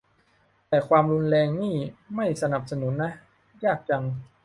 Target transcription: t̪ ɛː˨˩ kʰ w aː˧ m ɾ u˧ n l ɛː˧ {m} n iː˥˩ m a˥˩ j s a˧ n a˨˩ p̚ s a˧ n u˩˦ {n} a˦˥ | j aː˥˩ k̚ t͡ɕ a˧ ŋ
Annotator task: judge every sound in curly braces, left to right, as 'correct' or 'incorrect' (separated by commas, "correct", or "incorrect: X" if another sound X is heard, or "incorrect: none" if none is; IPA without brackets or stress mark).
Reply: incorrect: ŋ, incorrect: nː